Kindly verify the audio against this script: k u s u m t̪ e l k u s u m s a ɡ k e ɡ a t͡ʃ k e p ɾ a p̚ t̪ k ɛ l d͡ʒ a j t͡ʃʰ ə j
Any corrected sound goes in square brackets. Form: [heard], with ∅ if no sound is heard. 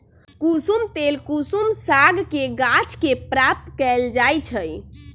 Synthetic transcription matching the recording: k u s u m t̪ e l k u s u m s a ɡ k e ɡ a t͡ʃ k e p ɾ a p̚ t̪ k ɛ l d͡ʒ a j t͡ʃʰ ə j

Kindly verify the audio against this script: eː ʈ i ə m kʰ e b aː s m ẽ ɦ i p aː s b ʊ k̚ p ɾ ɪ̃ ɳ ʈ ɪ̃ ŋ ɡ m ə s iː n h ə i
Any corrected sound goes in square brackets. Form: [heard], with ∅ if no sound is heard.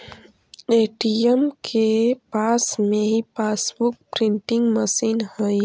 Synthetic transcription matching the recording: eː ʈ i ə m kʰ e [p] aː s m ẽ ɦ i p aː s b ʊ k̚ p ɾ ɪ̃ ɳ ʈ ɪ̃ ŋ ɡ m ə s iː n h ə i

